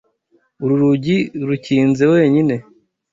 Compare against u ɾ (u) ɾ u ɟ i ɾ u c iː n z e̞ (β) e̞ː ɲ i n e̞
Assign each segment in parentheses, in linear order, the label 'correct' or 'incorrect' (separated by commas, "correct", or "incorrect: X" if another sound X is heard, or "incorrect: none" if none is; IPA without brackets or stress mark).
correct, incorrect: w